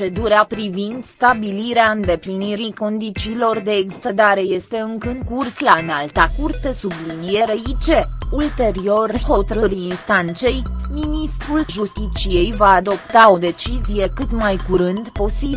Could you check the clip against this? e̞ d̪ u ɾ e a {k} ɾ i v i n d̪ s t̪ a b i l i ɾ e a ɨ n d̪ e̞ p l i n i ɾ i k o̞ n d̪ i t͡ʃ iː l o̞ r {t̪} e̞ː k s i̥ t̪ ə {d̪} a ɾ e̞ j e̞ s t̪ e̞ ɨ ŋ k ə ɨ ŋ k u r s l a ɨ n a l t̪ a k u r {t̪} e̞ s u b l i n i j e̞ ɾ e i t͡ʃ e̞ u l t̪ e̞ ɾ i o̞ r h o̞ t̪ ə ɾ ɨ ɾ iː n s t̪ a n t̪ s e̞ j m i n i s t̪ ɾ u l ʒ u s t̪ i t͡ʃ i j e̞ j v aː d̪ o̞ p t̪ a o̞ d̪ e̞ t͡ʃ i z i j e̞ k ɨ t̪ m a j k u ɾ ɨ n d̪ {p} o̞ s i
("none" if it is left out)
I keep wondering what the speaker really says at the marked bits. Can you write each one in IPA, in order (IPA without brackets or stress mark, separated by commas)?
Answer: p, d̪, d̪, t̪, p